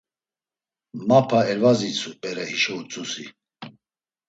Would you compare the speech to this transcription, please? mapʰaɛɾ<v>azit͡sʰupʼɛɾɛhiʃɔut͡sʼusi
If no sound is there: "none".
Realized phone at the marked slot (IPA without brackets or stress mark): v